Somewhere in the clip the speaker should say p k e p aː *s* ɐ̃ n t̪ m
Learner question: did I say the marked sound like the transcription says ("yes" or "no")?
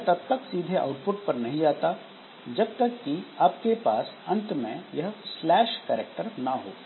yes